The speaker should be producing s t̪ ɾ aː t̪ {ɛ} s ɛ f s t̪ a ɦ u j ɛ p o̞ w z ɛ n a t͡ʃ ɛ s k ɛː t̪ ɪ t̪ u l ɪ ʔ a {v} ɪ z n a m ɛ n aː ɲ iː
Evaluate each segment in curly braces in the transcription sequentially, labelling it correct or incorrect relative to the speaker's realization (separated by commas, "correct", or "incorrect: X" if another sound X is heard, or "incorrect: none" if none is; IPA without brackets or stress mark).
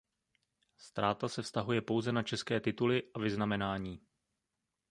incorrect: a, correct